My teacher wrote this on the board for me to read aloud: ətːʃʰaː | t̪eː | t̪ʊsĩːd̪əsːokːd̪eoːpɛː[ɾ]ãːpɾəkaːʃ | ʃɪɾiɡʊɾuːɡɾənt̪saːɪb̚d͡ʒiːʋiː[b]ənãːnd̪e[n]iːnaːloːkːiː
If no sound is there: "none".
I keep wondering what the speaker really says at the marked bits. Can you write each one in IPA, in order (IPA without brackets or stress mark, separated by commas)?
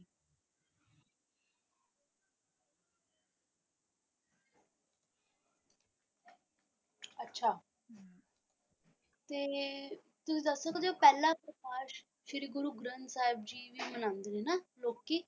l, m, n